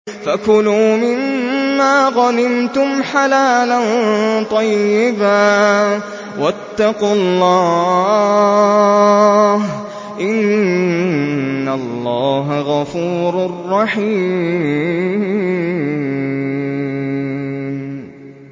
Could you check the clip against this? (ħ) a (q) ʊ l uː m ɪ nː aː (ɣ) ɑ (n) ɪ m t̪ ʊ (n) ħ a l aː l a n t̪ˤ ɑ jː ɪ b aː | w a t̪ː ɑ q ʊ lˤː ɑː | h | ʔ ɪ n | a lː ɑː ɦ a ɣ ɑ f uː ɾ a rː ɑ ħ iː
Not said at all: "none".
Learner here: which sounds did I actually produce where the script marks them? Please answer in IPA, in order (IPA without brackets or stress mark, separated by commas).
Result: f, k, ɣ, n, m